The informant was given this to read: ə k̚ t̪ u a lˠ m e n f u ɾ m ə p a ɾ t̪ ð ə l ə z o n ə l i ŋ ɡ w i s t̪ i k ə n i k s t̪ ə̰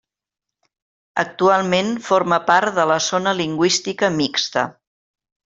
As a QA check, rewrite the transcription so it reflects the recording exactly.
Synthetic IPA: ə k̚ t̪ u a lˠ m e n f o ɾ m ə p a ɾ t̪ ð ə l ə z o n ə l i ŋ ɡ w i s t̪ i k ə m i k s t̪ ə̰